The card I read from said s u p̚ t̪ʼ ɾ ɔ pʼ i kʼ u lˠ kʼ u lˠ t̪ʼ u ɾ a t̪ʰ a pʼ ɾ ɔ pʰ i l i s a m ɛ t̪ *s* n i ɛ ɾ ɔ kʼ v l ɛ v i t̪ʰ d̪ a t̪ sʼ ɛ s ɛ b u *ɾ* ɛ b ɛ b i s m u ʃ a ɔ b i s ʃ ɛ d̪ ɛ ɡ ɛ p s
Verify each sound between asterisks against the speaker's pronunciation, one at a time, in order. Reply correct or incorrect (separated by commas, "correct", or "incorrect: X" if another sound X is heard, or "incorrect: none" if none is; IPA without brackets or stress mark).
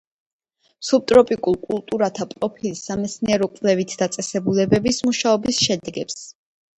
correct, incorrect: l